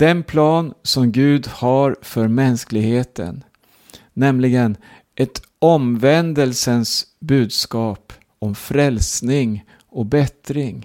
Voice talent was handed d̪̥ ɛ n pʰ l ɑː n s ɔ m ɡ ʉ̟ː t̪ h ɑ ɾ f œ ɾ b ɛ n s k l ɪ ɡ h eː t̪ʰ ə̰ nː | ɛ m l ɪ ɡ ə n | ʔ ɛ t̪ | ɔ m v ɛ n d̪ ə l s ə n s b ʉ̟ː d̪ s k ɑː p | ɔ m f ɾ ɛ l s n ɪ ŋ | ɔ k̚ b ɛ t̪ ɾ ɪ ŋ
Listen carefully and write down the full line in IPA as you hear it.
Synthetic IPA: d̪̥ ɛ n pʰ l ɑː n s ɔ m ɡ ʉ̟ː d̪ h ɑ ɾ f œ ɾ m ɛ n s k l ɪ ɡ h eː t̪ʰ ə̰ nː | ɛ m l ɪ ɡ ə n | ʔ ɛ t̪ | ɔ m v ɛ n d̪ ə l s ə n s b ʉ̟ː d̪ s k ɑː p | ɔ m f ɾ ɛ l s n ɪ ŋ | ɔ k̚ b ɛ t̪ ɾ ɪ ŋ